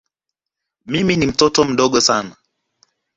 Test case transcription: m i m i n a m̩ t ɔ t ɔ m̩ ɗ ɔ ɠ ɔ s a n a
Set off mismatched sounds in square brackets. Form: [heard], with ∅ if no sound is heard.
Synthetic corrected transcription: m i m i n [i] m̩ t ɔ t ɔ m̩ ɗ ɔ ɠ ɔ s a n a